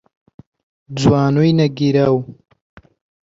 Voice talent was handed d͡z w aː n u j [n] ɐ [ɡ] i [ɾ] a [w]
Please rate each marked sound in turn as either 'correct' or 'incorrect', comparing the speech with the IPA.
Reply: correct, correct, correct, correct

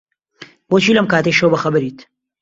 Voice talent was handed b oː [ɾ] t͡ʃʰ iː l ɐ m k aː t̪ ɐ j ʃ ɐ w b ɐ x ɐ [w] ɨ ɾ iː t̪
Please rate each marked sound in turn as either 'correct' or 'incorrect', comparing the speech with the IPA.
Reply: incorrect: none, incorrect: b

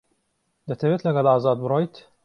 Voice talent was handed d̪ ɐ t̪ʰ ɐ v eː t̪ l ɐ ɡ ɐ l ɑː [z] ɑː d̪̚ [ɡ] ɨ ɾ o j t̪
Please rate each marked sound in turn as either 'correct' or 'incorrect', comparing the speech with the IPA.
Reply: correct, incorrect: b

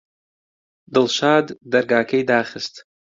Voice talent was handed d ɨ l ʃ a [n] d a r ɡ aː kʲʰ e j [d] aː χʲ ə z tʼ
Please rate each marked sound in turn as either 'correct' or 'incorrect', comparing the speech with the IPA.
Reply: incorrect: d, correct

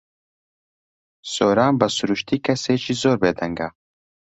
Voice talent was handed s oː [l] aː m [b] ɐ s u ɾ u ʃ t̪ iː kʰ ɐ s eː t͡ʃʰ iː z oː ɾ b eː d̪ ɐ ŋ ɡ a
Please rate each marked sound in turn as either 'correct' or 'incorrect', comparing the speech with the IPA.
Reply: incorrect: ɾ, correct

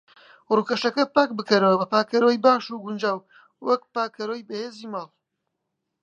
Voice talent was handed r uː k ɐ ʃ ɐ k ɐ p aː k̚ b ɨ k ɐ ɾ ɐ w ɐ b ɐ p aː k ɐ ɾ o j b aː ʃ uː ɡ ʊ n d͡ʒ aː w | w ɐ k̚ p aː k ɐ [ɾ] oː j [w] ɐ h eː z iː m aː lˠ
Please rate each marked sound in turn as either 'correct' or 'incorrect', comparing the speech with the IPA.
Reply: correct, incorrect: b

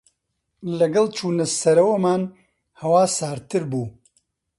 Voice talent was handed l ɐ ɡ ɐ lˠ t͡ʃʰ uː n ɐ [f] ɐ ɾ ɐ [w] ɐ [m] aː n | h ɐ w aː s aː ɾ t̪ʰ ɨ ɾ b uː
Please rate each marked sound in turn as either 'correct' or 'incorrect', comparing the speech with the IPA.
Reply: incorrect: s, correct, correct

